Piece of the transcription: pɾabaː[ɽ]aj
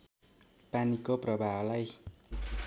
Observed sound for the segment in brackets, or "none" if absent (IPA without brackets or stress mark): l